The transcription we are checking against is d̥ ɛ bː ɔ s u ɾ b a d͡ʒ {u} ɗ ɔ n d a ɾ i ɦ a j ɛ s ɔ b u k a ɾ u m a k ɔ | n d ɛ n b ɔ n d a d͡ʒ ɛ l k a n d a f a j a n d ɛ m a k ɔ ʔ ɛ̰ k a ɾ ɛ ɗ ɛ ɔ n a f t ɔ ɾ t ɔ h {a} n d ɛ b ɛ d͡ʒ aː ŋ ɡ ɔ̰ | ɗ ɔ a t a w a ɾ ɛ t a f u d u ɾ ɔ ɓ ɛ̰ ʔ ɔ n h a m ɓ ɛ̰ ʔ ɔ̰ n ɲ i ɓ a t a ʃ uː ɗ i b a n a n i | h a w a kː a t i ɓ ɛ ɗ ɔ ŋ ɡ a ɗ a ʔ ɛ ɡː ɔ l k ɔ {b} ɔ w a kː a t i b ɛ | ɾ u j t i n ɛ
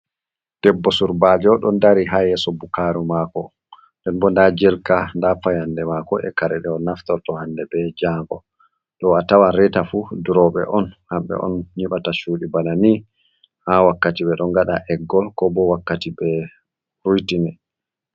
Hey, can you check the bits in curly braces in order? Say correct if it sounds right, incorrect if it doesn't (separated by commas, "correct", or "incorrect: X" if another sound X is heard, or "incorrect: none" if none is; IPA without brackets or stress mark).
incorrect: ɔ, correct, correct